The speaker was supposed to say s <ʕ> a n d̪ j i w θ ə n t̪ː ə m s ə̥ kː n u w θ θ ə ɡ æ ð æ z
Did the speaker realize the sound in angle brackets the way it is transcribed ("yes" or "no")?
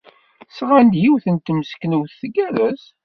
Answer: no